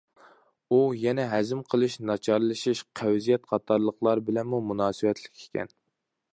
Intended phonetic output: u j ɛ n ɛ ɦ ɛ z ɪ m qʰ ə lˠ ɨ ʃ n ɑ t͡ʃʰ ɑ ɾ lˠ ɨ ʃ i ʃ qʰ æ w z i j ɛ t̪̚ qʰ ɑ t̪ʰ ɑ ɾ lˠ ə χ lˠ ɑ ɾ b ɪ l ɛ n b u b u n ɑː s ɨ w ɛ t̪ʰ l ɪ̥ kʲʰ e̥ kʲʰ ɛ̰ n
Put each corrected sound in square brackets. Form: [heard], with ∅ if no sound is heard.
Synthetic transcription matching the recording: u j ɛ n ɛ ɦ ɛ z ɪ m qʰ ə lˠ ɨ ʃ n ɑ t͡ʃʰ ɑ ɾ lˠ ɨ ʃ i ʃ qʰ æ w z i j ɛ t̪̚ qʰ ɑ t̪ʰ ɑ ɾ lˠ ə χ lˠ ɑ ɾ b ɪ l ɛ n [m] u [m] u n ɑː s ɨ w ɛ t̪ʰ l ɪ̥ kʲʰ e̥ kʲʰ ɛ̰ n